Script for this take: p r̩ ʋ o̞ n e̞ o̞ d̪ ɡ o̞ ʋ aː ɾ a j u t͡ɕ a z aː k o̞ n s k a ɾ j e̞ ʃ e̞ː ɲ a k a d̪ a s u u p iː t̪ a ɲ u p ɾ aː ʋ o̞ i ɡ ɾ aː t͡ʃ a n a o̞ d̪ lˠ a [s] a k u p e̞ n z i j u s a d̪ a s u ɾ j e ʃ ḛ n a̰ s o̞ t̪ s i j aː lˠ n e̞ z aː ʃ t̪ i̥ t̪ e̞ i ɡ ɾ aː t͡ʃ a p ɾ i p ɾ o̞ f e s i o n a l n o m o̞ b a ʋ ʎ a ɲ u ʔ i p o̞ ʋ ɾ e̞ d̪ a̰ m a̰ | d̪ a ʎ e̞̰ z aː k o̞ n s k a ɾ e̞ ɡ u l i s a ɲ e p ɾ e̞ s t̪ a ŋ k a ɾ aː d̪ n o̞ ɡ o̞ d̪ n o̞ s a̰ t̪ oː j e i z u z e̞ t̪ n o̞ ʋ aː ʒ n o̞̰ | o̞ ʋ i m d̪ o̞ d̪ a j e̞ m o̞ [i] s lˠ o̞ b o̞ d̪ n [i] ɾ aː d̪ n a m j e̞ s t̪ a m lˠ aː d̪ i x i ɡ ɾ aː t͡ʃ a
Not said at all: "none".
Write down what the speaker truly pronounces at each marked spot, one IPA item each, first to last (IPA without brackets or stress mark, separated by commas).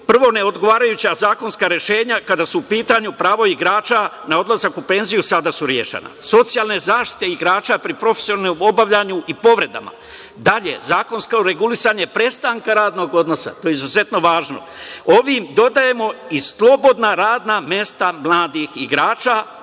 z, i, a